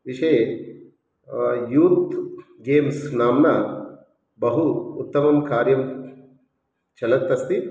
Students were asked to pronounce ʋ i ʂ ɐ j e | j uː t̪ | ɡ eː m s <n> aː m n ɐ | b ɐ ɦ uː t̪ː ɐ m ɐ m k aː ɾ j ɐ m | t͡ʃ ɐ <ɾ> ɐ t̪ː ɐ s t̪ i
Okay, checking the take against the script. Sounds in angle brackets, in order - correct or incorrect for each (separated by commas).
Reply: correct, incorrect